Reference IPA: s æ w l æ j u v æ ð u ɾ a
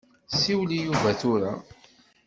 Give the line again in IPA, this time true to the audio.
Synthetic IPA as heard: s i w l i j u v æ θ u ɾ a